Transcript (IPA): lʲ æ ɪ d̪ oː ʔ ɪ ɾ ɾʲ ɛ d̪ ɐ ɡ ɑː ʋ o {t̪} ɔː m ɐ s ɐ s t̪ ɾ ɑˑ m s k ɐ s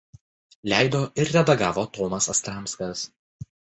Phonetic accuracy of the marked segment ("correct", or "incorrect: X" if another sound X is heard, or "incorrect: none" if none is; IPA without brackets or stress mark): correct